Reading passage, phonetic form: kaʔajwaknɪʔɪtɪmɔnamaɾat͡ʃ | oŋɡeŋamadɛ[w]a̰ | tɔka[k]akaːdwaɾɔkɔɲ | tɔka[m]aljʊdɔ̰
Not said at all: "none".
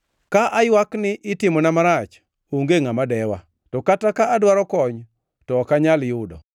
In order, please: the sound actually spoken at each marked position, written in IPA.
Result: w, t, ɲ

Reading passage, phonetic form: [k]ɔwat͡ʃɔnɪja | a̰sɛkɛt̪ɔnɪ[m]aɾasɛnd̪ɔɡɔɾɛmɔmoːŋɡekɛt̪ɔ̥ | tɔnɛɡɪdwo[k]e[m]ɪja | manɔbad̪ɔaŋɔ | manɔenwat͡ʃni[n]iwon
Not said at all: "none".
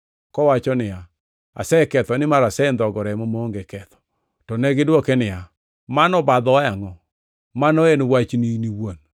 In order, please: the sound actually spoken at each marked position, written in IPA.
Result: k, m, k, n, n

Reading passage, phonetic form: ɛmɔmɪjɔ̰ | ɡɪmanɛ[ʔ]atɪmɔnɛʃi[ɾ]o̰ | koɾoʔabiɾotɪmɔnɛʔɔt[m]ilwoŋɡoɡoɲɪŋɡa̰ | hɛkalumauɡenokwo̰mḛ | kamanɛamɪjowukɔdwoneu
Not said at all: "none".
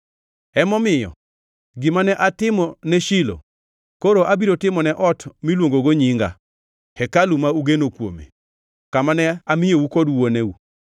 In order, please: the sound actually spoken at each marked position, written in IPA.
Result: ʔ, l, m

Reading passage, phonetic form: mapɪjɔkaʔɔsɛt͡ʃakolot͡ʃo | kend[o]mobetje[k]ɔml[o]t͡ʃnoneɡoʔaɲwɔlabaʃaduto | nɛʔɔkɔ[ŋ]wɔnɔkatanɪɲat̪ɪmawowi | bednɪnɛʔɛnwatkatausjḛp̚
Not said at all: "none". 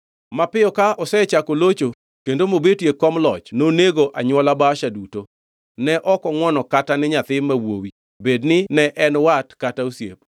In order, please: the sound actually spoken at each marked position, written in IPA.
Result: o, k, ɔ, ŋ

